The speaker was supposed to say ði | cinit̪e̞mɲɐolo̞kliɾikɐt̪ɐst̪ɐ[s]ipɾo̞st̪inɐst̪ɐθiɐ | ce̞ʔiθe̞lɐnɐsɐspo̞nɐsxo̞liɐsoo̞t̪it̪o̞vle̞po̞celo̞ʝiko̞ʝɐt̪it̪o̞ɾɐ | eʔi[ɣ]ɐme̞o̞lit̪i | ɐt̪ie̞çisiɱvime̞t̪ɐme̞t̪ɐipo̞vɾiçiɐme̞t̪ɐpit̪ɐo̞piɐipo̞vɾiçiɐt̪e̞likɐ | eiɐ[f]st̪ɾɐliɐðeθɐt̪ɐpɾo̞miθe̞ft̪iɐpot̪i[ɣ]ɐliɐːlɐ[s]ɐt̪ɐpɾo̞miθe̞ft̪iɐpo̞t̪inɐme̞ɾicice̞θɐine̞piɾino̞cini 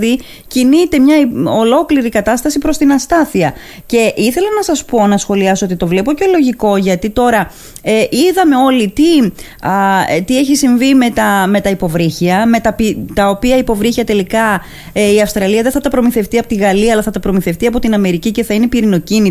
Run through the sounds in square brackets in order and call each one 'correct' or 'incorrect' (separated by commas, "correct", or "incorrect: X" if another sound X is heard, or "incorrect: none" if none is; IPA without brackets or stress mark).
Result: correct, incorrect: ð, correct, correct, incorrect: θ